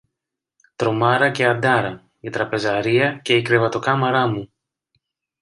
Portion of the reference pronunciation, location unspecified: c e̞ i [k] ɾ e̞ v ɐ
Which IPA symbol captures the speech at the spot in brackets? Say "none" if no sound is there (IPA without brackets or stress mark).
k